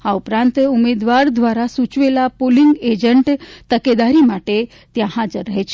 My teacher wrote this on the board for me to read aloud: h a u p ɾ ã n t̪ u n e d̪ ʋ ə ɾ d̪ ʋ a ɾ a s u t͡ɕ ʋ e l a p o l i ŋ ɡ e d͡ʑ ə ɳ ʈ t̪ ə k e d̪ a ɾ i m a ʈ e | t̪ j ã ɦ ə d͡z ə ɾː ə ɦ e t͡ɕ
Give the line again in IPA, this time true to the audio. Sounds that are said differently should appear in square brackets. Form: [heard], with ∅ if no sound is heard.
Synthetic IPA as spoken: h a u p ɾ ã n t̪ u [m] e d̪ ʋ [a] ɾ d̪ ʋ a ɾ a s u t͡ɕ ʋ e l a p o l i ŋ ɡ e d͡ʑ ə ɳ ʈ t̪ ə k e d̪ a ɾ i m a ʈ e | t̪ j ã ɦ [a] d͡z ə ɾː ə ɦ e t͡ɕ